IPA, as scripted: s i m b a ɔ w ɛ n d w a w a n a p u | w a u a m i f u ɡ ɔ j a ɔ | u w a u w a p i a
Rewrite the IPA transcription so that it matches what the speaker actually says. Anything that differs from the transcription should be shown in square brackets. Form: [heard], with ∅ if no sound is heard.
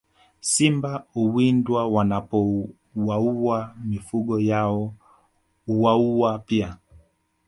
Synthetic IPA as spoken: s i m b a [u] w [i] n d w a w a n a p [ɔ] | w a u a m i f u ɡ ɔ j a ɔ | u w a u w a p i a